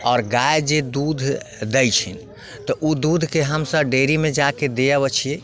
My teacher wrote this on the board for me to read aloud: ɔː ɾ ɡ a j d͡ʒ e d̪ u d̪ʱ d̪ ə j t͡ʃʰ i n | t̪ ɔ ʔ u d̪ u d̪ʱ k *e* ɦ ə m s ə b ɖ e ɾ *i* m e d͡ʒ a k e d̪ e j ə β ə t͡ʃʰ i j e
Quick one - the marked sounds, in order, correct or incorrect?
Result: correct, correct

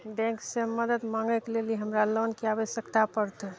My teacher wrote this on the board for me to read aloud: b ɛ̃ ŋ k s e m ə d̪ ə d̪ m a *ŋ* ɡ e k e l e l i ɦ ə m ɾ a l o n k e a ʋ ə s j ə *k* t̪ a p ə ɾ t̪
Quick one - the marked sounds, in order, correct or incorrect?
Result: correct, correct

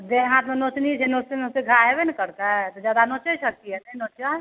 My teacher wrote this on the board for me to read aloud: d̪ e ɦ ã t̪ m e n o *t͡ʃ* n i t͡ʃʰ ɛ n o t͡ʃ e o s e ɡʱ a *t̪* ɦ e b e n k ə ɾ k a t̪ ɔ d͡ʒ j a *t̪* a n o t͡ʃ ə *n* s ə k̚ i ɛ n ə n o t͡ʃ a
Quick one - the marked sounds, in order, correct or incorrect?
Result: correct, incorrect: none, incorrect: d̪, incorrect: none

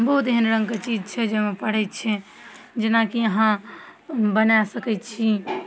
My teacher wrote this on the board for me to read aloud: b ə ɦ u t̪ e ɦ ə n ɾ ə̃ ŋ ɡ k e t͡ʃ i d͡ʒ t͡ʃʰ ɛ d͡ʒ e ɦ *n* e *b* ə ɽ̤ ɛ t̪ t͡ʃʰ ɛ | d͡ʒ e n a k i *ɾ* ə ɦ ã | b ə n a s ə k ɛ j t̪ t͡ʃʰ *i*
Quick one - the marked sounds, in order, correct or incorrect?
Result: incorrect: m, incorrect: p, incorrect: none, correct

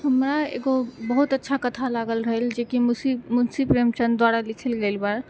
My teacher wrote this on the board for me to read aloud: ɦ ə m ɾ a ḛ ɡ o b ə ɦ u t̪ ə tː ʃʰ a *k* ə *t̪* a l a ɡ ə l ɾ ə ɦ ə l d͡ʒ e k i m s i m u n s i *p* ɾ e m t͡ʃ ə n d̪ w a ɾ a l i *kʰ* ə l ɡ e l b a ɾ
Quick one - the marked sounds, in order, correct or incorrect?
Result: correct, incorrect: t̪ʰ, correct, correct

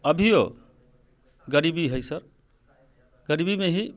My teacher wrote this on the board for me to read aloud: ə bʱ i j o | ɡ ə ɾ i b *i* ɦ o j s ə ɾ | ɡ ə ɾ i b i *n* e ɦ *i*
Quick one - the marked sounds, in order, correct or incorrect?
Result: correct, incorrect: m, correct

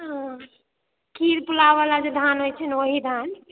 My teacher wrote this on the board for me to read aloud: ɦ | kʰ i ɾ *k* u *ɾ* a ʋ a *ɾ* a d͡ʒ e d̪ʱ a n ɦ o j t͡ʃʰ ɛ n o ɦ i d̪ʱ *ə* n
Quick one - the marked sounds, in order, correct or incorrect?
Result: incorrect: p, incorrect: l, incorrect: l, incorrect: a

